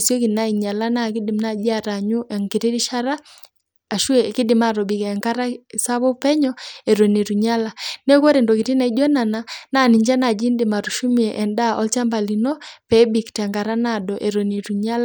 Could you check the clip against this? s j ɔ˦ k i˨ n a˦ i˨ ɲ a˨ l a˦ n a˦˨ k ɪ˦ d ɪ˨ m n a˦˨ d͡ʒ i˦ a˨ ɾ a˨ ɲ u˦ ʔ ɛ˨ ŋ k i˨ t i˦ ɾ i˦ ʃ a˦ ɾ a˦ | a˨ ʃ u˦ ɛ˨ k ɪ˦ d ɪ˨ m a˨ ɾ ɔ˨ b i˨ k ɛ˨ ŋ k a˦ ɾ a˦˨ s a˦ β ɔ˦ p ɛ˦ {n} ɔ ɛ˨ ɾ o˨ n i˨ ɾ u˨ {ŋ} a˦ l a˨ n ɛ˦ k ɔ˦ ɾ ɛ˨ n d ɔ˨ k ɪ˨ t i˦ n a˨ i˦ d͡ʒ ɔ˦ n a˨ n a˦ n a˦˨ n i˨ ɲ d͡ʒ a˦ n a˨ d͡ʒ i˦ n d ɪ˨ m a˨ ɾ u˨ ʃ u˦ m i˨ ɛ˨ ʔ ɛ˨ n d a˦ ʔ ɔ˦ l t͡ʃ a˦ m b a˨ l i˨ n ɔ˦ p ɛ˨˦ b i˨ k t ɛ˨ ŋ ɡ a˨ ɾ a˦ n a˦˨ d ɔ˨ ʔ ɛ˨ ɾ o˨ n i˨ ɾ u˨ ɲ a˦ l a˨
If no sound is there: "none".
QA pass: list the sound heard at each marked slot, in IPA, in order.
ɲ, ɲ

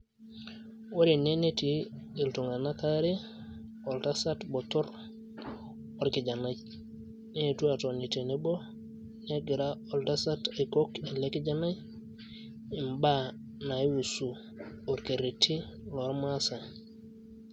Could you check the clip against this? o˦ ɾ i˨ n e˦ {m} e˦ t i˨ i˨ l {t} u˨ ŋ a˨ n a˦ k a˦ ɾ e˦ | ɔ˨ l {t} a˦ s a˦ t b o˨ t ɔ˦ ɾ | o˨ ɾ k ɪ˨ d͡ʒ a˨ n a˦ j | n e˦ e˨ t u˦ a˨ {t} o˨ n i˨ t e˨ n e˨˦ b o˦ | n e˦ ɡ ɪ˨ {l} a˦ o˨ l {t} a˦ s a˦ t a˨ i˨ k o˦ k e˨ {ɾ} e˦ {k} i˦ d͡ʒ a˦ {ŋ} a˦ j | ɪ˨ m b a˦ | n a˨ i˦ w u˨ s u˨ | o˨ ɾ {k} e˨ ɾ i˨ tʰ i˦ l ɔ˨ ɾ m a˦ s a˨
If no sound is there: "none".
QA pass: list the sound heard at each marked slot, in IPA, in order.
n, t, t, t, ɾ, t, l, k, n, k

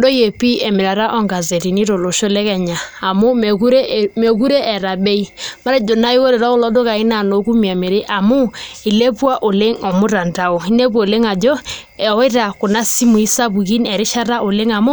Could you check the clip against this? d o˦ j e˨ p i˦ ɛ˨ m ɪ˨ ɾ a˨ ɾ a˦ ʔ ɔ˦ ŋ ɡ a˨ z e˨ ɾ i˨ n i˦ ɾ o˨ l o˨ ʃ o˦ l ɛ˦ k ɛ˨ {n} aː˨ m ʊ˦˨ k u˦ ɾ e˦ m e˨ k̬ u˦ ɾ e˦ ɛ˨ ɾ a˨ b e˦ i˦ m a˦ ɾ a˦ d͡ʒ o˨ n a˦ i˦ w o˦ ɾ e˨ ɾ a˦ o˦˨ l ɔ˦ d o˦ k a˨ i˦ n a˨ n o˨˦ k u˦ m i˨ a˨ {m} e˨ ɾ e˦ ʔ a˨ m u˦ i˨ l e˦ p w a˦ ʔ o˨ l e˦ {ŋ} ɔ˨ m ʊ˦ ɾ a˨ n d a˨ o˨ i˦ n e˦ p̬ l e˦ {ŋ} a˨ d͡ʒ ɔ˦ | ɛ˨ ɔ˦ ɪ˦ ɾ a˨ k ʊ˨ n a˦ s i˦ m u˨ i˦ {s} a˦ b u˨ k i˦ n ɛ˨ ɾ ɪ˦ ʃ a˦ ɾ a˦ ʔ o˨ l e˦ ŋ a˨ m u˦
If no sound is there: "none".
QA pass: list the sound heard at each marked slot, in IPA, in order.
ɲ, m, ŋ, ŋ, s

